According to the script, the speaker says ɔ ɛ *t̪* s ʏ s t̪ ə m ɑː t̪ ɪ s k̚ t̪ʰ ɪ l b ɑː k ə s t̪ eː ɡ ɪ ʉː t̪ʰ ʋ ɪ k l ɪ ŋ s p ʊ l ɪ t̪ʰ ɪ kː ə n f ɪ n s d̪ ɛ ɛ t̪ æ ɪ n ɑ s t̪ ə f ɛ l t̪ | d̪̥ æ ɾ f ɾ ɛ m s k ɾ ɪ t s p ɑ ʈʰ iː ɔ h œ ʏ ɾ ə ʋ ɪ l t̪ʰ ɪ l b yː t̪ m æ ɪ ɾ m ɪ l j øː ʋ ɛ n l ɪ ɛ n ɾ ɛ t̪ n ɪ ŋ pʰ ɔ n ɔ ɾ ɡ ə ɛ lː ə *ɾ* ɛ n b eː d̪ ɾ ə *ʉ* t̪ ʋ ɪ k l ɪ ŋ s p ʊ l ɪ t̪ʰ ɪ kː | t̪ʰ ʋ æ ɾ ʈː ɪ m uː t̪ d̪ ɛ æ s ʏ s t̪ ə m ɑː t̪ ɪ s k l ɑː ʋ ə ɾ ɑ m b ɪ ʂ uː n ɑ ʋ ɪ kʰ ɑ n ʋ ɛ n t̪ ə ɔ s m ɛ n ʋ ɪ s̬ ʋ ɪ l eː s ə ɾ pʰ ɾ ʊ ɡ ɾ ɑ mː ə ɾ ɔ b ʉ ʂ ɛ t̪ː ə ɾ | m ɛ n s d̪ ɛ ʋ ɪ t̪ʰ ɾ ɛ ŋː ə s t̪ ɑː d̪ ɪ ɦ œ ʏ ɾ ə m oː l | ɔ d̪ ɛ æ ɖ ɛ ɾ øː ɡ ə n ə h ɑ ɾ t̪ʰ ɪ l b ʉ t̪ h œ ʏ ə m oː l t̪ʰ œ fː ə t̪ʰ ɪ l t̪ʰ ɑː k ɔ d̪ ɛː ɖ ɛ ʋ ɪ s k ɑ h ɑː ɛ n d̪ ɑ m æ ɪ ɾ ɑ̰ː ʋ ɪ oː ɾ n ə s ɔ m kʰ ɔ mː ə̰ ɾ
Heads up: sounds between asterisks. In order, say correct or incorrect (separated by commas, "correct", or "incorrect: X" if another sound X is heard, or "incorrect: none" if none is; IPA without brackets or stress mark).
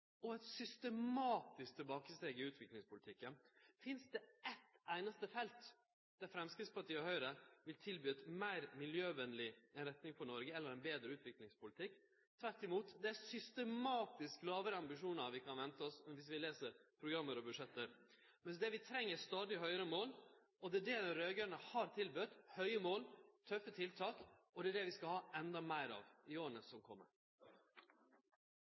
correct, correct, incorrect: ʉː